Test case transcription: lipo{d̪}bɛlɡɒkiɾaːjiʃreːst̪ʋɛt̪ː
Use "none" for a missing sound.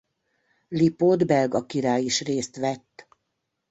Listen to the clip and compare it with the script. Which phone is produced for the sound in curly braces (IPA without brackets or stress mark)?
d̪